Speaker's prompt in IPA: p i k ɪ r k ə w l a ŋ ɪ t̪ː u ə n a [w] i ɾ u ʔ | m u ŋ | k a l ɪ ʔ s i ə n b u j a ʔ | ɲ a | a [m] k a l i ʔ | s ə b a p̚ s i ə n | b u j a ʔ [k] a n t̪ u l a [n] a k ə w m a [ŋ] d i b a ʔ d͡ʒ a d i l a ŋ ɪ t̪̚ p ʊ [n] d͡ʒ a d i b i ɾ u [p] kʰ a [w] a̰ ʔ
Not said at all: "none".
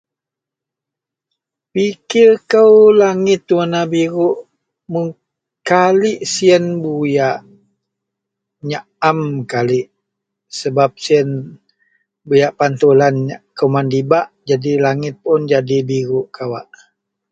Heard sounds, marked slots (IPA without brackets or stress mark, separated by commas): b, m, p, n, n, n, ʔ, w